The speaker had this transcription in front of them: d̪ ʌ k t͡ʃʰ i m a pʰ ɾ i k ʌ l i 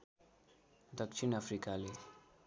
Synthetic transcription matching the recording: d̪ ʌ k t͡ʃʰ i n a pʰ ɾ i k a l e